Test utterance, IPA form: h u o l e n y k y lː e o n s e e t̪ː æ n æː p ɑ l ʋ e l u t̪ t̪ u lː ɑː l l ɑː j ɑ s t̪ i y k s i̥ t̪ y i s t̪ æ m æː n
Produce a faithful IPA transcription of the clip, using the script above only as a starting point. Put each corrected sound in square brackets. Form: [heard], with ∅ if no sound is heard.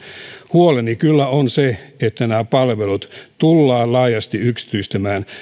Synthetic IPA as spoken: h u o l e n [i] k y lː [æ] o n s e e t̪ː æ n æː p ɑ l ʋ e l u t̪ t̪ u lː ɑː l l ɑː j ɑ s t̪ i y k s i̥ t̪ y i s t̪ æ m æː n